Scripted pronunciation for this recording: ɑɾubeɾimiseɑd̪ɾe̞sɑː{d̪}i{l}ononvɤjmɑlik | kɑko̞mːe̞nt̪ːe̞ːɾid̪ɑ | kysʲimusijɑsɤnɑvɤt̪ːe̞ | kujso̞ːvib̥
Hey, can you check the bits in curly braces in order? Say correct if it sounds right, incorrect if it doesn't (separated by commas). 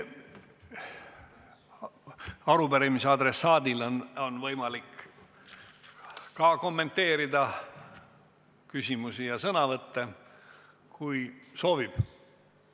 correct, correct